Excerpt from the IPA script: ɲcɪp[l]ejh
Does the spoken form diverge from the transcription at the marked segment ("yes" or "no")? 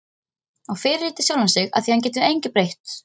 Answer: yes